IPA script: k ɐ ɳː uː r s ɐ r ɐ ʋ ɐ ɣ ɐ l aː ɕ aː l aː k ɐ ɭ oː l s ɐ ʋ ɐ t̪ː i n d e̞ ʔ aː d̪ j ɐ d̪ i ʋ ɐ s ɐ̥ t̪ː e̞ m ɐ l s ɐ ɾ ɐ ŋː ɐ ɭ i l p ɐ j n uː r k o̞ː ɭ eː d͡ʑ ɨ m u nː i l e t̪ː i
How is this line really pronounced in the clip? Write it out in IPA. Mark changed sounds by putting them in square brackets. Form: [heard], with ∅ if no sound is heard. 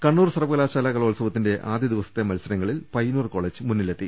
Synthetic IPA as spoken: k ɐ ɳː uː r s ɐ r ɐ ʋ ɐ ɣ ɐ l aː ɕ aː l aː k ɐ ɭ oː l s ɐ ʋ ɐ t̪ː i n d e̞ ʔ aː d̪ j ɐ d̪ i ʋ ɐ s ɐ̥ t̪ː e̞ m ɐ l s ɐ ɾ ɐ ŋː ɐ ɭ i l p ɐ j n uː r k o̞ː ɭ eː d͡ʑ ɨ m u nː i l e t̪ː i